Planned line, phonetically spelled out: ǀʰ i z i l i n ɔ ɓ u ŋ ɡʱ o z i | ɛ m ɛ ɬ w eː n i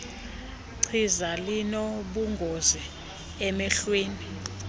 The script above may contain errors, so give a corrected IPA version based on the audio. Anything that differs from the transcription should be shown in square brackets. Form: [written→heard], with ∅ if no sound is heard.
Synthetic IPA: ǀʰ i z [i→a] l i n ɔ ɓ u ŋ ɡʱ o z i | ɛ m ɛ ɬ w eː n i